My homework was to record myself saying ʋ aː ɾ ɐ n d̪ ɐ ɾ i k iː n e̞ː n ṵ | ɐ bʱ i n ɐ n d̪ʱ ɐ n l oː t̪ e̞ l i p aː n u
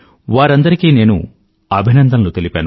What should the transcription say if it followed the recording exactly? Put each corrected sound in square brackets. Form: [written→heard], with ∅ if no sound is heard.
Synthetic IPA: ʋ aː ɾ ɐ n d̪ ɐ ɾ i k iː n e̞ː n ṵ | ɐ bʱ i n ɐ n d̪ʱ ɐ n l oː t̪ e̞ l i p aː n u